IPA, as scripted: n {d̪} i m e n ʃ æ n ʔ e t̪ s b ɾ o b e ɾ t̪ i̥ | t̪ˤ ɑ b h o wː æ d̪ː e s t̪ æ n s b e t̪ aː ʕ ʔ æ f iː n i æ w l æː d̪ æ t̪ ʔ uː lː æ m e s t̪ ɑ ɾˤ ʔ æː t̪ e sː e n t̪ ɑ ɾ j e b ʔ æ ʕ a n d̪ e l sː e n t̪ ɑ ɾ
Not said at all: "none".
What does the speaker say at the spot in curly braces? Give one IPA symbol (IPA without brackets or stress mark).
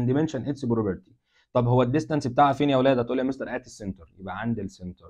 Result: d̪